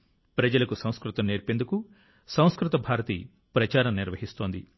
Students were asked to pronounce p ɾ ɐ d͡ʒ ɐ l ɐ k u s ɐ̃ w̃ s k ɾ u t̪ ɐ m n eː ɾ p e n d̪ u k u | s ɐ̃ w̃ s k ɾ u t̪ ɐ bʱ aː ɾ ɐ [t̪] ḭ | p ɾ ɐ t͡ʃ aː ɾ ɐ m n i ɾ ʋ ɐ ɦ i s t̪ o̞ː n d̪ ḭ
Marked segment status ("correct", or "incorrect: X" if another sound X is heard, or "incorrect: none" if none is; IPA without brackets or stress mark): correct